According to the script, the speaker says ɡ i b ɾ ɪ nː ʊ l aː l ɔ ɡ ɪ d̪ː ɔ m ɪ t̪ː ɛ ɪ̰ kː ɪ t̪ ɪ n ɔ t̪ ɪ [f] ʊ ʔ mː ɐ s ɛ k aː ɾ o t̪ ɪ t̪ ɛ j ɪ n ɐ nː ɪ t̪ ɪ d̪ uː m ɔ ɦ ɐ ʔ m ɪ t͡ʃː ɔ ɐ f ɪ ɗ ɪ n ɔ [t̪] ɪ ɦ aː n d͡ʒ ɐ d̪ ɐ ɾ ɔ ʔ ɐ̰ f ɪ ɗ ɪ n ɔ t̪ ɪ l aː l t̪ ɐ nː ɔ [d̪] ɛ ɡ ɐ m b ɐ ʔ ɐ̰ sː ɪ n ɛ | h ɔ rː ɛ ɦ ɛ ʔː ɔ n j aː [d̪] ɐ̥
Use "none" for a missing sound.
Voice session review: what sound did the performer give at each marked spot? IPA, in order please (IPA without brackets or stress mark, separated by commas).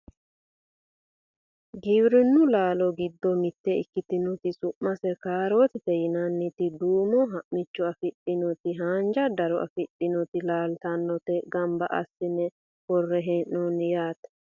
s, t̪, t̪, t̪